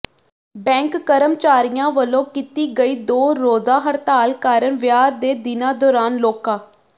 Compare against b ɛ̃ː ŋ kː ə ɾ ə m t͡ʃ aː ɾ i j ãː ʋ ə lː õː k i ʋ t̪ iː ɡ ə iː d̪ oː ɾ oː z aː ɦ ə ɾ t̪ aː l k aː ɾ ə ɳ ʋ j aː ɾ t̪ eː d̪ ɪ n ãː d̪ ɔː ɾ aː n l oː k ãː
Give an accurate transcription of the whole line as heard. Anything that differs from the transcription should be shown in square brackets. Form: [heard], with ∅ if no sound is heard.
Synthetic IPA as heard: b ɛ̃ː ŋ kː ə ɾ ə m t͡ʃ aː ɾ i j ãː ʋ ə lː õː k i [∅] t̪ iː ɡ ə iː d̪ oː ɾ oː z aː ɦ ə ɾ t̪ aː l k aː ɾ ə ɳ ʋ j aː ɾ [d̪] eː d̪ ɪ n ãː d̪ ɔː ɾ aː n l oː k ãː

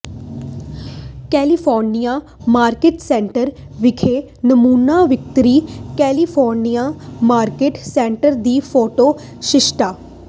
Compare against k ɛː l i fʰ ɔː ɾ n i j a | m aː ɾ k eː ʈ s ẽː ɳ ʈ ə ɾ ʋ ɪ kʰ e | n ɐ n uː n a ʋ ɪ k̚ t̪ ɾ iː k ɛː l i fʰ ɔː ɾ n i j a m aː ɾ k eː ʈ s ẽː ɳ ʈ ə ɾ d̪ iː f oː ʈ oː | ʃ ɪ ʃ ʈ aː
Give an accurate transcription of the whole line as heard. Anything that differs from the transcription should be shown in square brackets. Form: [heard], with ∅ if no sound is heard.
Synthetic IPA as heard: k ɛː l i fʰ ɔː ɾ n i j a | m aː ɾ k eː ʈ s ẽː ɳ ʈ ə ɾ ʋ ɪ kʰ e | n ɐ [m] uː n a ʋ ɪ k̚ t̪ ɾ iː k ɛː l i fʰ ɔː ɾ n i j a m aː ɾ k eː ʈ s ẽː ɳ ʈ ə ɾ d̪ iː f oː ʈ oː | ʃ ɪ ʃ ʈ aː

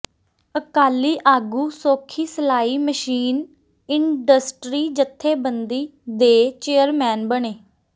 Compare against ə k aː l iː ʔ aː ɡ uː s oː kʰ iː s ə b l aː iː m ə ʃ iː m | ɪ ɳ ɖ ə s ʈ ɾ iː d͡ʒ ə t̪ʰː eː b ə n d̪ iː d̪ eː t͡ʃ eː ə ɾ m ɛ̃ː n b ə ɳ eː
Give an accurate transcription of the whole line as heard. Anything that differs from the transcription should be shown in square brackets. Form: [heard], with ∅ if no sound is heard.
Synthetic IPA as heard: ə k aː l iː ʔ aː ɡ uː s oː kʰ iː s ə [∅] l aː iː m ə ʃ iː [n] | ɪ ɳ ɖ ə s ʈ ɾ iː d͡ʒ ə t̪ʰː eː b ə n d̪ iː d̪ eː t͡ʃ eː ə ɾ m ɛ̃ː n b ə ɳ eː

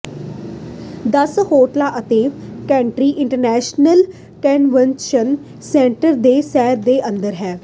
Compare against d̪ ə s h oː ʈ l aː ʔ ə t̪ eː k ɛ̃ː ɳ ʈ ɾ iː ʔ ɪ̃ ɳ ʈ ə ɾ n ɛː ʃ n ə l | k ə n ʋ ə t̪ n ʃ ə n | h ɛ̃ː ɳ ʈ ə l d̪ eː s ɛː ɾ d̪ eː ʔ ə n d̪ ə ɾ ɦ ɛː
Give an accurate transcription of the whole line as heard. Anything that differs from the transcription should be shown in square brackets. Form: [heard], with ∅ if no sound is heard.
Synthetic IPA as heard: d̪ ə s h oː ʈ l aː ʔ ə t̪ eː k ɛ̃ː ɳ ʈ ɾ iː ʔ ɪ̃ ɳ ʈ ə ɾ n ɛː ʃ n ə l | k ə n ʋ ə [∅] n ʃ ə n | [s] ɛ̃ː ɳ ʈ ə [ɾ] d̪ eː s ɛː ɾ d̪ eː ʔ ə n d̪ ə ɾ ɦ ɛː

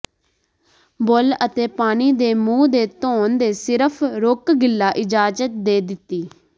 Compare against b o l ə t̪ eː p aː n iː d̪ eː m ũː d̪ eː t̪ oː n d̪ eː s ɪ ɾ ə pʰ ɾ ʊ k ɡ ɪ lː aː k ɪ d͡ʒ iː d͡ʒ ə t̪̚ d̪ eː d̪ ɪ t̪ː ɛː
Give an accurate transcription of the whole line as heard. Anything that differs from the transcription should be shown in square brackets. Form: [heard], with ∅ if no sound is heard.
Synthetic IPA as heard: b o l ə t̪ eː p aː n iː d̪ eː m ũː d̪ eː t̪ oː n d̪ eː s ɪ ɾ ə pʰ ɾ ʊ k ɡ ɪ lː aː [ʔ] ɪ d͡ʒ [aː] d͡ʒ ə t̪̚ d̪ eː d̪ ɪ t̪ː [iː]

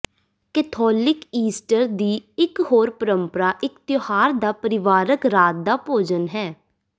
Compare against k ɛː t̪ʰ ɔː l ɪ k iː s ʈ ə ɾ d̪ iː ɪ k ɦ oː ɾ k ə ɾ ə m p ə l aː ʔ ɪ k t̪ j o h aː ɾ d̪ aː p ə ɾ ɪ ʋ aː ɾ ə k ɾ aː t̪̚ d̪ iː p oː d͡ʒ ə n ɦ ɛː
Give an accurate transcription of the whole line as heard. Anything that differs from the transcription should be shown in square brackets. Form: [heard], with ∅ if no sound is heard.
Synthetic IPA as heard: k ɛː t̪ʰ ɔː l ɪ k iː s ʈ ə ɾ d̪ iː ɪ k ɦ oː ɾ [p] ə ɾ ə m p ə [ɾ] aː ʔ ɪ k t̪ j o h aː ɾ d̪ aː p ə ɾ ɪ ʋ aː ɾ ə k ɾ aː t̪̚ d̪ [aː] p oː d͡ʒ ə n ɦ ɛː

